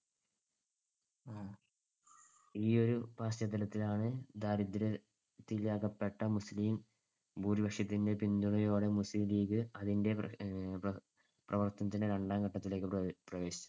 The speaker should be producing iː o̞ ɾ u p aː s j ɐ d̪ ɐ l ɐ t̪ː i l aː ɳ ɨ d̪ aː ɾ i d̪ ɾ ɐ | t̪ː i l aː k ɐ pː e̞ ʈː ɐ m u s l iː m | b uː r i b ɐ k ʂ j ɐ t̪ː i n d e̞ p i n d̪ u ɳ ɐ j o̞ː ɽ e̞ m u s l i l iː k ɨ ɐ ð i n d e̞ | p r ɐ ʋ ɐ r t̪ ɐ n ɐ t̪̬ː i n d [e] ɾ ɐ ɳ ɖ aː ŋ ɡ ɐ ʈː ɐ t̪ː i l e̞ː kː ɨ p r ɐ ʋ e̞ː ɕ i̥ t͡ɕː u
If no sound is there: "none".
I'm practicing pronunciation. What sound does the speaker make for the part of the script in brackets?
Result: e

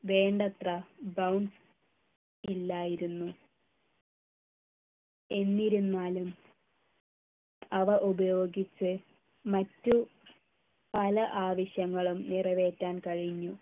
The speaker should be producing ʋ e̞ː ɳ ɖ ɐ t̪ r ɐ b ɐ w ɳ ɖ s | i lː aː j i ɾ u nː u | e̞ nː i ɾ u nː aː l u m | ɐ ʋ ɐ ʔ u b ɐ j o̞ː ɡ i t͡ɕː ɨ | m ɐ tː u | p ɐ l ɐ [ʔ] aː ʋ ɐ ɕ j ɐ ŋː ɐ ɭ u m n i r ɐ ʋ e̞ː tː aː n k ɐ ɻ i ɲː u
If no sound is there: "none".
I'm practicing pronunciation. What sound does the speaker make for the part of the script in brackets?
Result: ʔ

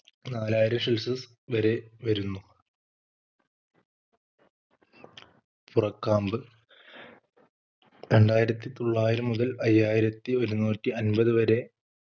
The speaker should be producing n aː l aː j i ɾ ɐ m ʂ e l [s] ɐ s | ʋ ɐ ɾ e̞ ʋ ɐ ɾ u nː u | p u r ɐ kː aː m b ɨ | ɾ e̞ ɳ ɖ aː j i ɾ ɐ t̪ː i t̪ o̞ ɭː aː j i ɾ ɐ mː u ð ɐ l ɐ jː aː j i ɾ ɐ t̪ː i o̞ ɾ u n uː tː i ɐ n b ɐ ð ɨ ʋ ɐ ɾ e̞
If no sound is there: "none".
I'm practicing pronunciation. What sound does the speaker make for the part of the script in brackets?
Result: s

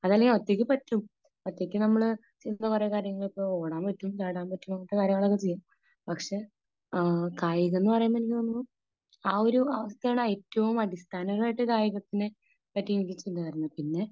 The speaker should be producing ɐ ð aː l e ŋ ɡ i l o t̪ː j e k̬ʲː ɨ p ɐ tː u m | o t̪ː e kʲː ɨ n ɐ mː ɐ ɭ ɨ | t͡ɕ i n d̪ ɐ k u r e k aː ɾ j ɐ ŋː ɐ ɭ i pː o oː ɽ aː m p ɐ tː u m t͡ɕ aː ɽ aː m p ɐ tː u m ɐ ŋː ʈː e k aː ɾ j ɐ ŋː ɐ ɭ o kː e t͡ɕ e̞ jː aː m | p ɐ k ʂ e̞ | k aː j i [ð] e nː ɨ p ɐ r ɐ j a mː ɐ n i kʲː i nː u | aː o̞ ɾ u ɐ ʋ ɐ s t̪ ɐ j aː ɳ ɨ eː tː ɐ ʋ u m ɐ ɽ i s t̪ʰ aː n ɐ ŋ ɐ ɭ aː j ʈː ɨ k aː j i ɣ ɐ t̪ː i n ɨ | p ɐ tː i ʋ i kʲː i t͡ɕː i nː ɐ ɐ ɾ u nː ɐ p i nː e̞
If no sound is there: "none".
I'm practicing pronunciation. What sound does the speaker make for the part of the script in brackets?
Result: ɣ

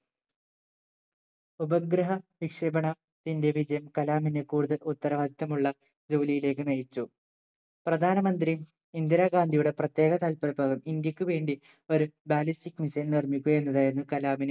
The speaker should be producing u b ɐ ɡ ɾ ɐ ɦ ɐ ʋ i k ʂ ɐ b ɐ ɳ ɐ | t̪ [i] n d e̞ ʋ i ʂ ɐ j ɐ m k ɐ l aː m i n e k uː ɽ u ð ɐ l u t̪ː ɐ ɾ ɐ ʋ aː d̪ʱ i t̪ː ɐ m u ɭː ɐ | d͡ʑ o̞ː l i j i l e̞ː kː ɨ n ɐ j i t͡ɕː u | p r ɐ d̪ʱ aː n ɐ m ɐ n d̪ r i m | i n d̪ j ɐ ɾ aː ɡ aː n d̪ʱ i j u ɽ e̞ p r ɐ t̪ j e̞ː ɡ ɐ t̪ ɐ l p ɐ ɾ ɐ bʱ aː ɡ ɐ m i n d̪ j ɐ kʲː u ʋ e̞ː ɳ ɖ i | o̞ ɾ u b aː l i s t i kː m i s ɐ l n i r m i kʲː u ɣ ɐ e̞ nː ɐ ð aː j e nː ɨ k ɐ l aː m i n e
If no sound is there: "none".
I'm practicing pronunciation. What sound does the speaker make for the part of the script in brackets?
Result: i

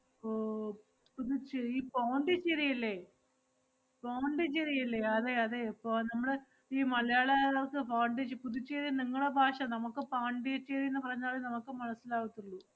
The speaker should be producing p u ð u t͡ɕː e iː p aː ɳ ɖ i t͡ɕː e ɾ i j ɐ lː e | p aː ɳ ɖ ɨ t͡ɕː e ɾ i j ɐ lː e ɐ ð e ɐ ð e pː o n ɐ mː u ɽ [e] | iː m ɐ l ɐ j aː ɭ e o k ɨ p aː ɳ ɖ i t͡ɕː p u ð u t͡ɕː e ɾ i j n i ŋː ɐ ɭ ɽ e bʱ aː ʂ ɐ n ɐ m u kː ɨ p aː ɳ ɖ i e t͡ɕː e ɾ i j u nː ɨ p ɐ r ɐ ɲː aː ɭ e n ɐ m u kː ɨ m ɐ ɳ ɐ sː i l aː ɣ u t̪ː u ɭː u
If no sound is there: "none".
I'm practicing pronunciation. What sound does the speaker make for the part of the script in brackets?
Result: e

